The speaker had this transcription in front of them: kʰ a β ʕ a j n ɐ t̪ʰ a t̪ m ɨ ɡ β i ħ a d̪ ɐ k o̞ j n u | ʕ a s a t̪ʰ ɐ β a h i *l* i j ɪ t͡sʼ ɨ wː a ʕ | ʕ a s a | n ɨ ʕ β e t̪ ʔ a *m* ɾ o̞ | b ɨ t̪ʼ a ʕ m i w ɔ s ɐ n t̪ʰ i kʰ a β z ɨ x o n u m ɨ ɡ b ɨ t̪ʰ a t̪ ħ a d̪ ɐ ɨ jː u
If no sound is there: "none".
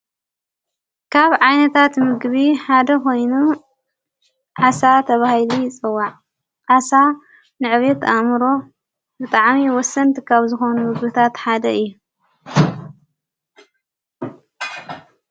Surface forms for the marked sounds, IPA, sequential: l, m

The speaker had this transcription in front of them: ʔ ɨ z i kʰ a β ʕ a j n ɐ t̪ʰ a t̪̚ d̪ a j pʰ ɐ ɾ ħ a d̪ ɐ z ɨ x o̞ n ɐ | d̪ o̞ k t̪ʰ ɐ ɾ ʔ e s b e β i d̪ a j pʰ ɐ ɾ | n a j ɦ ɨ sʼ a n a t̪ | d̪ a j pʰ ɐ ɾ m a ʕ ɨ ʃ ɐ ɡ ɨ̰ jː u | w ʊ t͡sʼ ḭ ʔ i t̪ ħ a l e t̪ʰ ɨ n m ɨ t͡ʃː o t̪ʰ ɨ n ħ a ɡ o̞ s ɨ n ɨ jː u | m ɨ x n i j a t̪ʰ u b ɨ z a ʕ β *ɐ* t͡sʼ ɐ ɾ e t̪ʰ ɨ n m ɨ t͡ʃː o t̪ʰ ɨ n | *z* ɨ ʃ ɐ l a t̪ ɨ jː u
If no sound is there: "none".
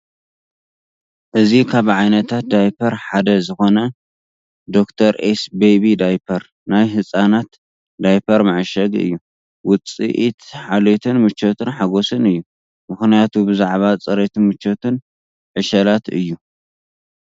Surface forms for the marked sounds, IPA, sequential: a, ʕ

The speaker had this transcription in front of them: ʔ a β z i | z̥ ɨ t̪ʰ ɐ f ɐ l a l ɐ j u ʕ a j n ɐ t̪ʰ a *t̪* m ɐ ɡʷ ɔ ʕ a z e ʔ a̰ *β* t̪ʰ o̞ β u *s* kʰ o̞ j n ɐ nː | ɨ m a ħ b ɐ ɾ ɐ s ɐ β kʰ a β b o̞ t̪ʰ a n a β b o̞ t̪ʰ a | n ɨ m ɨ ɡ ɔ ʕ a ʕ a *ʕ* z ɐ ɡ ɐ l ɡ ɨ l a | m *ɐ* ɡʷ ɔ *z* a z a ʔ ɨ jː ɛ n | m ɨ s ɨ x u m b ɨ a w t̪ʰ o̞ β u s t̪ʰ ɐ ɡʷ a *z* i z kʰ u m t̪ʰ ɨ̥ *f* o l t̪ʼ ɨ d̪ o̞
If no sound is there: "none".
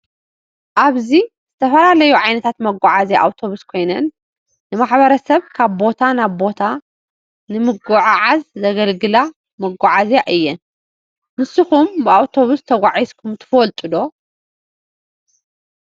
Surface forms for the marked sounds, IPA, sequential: t̪, w, s, z, ɐ, ʕ, ʕ, f

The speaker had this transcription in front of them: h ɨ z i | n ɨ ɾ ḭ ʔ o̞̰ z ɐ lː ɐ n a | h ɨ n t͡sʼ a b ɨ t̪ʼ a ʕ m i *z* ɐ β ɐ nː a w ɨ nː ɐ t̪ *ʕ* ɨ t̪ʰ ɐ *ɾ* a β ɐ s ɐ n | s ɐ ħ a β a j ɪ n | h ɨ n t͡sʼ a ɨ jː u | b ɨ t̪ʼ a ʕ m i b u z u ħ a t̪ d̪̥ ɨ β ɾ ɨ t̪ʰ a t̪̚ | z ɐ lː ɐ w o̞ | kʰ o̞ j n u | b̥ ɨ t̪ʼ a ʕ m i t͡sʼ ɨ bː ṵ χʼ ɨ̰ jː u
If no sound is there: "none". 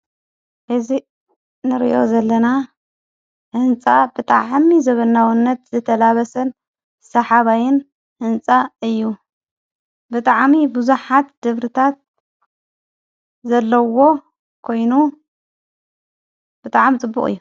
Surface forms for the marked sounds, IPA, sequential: z, z, l

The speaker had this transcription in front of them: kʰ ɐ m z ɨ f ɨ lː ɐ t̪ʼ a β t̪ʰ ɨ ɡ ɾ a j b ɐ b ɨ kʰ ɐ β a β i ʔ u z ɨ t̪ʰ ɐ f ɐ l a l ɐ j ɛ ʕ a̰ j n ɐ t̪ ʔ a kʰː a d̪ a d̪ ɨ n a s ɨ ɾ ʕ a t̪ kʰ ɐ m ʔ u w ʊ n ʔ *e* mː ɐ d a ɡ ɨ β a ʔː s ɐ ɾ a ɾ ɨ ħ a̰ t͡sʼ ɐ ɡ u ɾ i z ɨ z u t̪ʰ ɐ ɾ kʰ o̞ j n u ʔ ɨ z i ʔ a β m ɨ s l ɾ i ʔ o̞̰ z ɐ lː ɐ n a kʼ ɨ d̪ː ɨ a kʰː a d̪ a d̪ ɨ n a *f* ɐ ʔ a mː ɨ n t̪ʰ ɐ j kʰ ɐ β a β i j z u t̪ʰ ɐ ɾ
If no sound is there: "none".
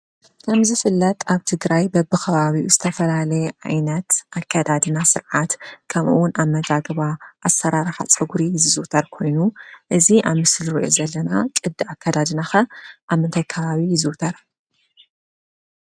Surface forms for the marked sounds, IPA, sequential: a, x

